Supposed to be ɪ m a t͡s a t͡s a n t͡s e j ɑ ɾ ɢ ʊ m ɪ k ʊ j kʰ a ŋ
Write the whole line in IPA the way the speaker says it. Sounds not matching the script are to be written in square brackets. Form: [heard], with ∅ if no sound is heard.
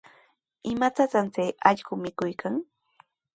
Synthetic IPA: ɪ m a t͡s a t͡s a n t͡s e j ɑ [ʎ] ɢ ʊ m ɪ k ʊ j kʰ a ŋ